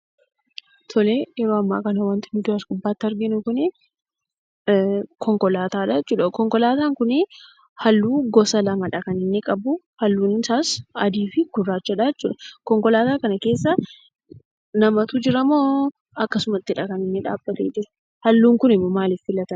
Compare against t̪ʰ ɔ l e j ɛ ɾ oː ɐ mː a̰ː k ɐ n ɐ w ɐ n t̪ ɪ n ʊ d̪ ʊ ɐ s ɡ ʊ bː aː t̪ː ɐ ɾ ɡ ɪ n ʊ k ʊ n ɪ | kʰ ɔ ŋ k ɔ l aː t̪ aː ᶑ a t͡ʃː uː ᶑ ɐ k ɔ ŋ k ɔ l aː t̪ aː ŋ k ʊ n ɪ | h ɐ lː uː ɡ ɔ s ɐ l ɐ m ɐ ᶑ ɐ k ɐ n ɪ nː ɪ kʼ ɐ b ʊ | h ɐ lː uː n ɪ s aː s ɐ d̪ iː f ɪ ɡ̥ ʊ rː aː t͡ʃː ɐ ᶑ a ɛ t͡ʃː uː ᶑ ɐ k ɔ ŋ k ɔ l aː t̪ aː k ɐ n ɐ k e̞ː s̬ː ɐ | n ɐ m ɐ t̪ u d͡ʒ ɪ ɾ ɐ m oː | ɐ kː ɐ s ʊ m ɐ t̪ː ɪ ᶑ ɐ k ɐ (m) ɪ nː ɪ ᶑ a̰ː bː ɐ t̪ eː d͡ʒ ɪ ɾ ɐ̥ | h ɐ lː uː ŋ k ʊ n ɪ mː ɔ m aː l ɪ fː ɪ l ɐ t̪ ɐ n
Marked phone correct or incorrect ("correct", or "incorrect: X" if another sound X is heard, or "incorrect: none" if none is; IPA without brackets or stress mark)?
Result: incorrect: n